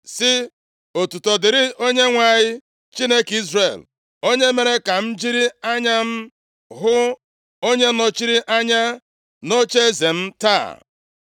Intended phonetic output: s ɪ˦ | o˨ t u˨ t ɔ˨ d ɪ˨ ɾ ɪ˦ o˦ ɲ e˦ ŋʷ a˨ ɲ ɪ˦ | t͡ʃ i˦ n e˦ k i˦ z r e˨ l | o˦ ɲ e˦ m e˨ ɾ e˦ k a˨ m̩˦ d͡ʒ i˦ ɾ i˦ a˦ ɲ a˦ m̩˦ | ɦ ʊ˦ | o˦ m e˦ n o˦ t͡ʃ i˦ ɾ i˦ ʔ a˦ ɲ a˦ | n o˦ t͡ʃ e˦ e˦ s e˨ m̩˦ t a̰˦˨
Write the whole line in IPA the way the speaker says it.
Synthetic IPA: s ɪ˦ | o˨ t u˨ t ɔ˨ d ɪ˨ ɾ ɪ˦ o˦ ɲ e˦ ŋʷ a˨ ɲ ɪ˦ | t͡ʃ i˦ n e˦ k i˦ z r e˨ l | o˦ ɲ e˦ m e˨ ɾ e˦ k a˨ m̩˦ d͡ʒ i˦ ɾ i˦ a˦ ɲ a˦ m̩˦ | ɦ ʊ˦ | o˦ ɲ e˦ n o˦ t͡ʃ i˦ ɾ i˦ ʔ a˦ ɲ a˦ | n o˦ t͡ʃ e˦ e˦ z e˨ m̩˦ t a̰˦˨

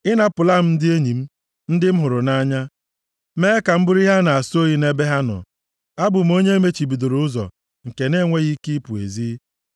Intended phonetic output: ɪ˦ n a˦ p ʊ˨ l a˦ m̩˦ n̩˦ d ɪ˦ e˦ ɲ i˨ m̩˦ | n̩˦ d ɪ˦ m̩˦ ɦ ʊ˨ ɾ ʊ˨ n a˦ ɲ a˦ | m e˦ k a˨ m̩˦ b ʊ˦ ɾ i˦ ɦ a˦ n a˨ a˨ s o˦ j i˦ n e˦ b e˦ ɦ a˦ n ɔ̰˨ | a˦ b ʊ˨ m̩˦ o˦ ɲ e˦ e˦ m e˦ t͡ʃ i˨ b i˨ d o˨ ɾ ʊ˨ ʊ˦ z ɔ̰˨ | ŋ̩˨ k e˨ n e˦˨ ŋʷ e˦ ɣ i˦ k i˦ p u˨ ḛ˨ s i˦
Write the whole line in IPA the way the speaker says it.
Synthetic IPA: ɪ˦ n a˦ p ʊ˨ l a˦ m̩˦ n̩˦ d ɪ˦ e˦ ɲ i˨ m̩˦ | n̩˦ d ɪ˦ m̩˦ ɦ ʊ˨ ɾ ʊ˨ n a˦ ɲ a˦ | m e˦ k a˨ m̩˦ b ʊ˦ ɾ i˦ ɦ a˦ n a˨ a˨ s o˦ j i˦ n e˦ b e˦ ɦ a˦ n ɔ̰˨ | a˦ b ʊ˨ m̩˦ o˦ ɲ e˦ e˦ m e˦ t͡ʃ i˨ b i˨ d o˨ ɾ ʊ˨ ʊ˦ z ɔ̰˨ | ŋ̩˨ k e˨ n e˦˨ ŋʷ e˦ ɣ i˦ k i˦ p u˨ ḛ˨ z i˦

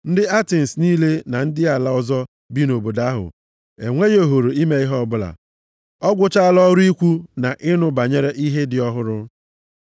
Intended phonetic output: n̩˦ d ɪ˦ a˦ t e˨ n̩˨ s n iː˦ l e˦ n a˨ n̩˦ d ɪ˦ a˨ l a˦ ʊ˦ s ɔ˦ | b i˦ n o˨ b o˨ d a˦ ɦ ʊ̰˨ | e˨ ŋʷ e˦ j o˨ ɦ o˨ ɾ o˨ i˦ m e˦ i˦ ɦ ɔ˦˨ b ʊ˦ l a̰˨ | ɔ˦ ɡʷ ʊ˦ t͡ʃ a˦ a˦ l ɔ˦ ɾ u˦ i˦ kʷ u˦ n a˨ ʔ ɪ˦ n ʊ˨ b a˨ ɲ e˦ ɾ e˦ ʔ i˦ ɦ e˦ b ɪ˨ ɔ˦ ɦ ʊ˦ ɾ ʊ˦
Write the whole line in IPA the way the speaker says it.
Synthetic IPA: n̩˦ d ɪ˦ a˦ t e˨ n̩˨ s n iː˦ l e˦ n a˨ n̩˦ d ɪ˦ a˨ l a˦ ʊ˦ z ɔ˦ | b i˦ n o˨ b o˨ d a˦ ɦ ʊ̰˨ | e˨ ŋʷ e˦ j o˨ ɦ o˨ ɾ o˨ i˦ m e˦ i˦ ɦ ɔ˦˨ b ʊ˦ l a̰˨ | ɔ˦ ɡʷ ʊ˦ t͡ʃ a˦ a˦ l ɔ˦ ɾ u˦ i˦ kʷ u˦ n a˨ ʔ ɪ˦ n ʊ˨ b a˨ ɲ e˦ ɾ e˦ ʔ i˦ ɦ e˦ d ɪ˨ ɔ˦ ɦ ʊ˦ ɾ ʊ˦

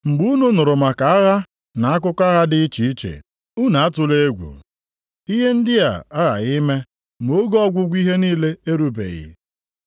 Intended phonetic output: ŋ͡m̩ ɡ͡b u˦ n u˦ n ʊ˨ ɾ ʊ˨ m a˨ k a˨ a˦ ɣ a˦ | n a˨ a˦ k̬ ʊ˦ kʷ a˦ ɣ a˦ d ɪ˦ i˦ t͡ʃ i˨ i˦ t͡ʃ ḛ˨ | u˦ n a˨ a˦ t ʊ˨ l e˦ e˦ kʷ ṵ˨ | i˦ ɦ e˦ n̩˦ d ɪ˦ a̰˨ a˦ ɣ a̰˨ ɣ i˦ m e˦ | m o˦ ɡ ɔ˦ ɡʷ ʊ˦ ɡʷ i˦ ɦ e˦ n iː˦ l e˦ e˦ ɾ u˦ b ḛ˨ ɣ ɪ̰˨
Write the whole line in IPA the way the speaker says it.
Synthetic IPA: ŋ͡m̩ ɡ͡b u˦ n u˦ n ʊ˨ ɾ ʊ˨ m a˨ k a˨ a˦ ɣ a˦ | n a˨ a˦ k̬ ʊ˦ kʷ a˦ ɣ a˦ d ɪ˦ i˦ t͡ʃ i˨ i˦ t͡ʃ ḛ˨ | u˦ n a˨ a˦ t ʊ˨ l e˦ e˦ ɡʷ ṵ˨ | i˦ ɦ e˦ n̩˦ d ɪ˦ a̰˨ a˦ ɣ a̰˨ ɣ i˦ m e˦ | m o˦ ɡ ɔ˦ ɡʷ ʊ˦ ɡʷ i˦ ɦ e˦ n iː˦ l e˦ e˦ ɾ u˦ b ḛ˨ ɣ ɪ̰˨

